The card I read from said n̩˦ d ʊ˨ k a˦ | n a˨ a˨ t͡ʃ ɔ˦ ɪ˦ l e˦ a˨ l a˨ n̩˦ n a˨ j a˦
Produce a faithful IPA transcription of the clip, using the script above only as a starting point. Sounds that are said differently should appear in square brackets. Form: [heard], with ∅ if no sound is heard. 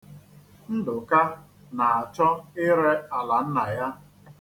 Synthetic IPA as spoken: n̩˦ d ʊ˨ k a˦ | n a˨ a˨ t͡ʃ ɔ˦ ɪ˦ [ɾ] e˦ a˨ l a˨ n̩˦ n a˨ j a˦